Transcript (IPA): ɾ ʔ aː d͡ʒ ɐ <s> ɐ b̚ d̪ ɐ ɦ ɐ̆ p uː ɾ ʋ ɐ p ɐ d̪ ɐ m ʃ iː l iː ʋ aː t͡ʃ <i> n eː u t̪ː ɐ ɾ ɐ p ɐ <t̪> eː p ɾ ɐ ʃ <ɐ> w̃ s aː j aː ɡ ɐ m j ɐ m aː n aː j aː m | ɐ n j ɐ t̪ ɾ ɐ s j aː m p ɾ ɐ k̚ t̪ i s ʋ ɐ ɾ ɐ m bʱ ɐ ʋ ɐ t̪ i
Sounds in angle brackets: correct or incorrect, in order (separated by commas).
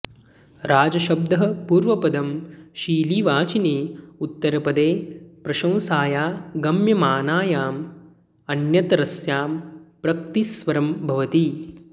incorrect, correct, incorrect, incorrect